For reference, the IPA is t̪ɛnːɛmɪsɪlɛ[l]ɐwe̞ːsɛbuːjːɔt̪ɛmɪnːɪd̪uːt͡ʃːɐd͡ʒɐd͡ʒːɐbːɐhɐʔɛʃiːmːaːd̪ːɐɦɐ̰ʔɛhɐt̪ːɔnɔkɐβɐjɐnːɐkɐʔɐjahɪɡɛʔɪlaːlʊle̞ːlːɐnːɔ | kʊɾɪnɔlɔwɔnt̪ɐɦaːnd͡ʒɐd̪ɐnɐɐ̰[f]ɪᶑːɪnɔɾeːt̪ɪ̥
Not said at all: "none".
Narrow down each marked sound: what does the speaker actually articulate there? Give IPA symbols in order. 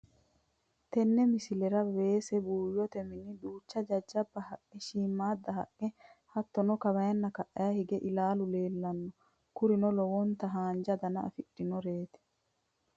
ɾ, f

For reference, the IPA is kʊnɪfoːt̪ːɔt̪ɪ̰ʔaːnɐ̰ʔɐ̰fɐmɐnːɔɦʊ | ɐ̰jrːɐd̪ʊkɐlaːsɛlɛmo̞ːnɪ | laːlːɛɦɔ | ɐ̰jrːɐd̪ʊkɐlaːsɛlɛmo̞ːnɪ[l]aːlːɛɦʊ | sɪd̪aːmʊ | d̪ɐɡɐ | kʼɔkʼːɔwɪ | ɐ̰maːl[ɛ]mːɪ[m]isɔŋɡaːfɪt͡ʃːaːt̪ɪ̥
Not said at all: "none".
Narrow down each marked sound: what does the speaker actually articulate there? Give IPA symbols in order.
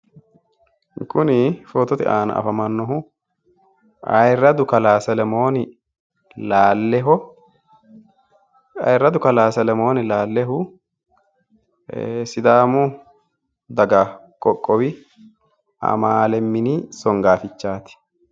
l, ɛ, n

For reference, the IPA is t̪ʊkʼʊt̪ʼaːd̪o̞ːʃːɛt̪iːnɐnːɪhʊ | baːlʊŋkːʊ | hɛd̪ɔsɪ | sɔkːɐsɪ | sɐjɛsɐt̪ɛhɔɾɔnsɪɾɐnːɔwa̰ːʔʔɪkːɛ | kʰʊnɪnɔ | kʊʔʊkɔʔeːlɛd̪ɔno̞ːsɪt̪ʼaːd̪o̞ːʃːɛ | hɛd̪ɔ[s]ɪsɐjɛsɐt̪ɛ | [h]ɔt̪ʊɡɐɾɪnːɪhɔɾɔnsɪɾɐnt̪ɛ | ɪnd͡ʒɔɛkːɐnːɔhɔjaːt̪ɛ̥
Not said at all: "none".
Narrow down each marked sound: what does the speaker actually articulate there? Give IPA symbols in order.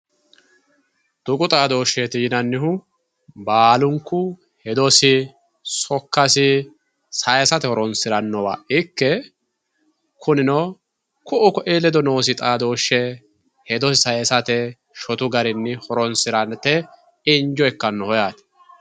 s, ʃ

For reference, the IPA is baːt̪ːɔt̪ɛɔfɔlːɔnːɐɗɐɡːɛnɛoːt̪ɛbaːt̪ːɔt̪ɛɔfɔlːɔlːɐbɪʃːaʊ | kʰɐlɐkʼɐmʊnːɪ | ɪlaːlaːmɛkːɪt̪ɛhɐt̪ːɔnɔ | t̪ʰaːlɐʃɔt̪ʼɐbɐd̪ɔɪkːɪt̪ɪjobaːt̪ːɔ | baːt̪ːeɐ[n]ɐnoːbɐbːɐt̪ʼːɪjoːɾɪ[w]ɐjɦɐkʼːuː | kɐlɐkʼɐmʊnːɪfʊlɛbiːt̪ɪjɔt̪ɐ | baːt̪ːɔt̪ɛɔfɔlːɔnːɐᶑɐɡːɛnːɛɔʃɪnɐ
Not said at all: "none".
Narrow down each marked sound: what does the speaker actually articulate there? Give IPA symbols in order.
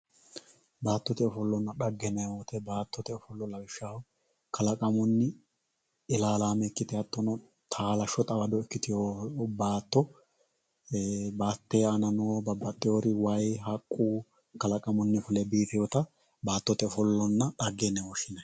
n, w

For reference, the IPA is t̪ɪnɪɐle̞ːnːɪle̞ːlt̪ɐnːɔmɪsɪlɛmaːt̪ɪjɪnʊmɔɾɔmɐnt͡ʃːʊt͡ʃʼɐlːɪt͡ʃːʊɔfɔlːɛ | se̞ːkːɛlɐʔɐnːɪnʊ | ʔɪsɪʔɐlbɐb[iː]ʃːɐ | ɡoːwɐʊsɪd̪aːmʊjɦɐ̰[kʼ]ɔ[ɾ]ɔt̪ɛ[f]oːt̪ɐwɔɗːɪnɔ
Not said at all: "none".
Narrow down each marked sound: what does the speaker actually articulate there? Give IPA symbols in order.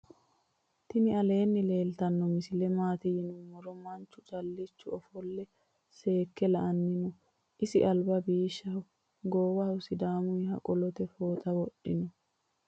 iː, kʼ, l, f

